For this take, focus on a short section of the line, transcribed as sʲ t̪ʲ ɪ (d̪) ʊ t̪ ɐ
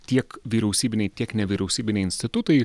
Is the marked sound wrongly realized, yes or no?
yes